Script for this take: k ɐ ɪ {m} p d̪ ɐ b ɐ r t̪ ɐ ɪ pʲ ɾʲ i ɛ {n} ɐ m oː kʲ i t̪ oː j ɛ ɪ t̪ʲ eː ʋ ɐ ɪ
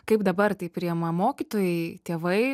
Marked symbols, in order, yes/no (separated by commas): no, no